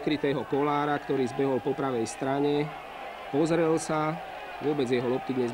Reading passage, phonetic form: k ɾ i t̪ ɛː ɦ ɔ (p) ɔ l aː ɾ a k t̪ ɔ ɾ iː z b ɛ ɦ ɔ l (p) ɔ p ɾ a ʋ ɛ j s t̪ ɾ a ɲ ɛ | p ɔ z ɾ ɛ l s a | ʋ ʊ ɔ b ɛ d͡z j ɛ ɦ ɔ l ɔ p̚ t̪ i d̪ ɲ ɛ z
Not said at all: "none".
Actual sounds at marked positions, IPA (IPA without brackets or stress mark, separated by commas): k, p